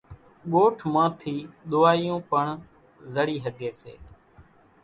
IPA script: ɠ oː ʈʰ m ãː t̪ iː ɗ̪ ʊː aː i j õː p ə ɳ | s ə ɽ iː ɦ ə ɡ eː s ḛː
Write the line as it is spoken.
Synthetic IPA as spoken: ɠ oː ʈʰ m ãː t̪ʰ iː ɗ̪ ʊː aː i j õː p ə ɳ | z ə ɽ iː ɦ ə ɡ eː s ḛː

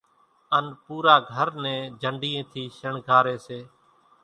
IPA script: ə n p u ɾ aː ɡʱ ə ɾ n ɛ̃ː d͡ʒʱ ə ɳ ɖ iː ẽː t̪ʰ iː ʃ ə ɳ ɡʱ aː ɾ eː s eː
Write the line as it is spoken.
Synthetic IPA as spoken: ə n p uː ɾ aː ɡʱ ə ɾ n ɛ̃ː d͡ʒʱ ə ɳ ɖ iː ẽː t̪ʰ iː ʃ ə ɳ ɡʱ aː ɾ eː s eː

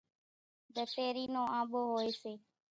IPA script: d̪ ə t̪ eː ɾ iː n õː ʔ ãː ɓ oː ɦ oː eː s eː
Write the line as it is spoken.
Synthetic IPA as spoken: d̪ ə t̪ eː ɾ iː n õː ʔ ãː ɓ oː ɦ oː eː s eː

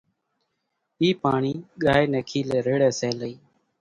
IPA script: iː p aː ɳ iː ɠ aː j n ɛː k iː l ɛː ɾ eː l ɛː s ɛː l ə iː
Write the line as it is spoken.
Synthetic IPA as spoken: iː p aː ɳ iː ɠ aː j n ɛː kʰ iː l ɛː ɾ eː ɽ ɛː s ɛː l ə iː

